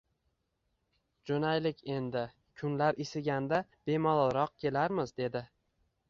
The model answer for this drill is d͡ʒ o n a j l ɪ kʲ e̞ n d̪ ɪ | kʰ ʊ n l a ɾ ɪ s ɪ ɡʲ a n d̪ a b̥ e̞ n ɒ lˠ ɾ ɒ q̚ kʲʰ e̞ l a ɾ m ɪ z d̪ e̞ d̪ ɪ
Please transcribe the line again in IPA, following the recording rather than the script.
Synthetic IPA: d͡ʒ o n a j l ɪ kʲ e̞ n d̪ ɪ | kʰ ʊ n l a ɾ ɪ s ɪ ɡʲ a n d̪ a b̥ e̞ m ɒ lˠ ɾ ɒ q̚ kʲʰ e̞ l a ɾ m ɪ z d̪ e̞ d̪ ɪ